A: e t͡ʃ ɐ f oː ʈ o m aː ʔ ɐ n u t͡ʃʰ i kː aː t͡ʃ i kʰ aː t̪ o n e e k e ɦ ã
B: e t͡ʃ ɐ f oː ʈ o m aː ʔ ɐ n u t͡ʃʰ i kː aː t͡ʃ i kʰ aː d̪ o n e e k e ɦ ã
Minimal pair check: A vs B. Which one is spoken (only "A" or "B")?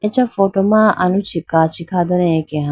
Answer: B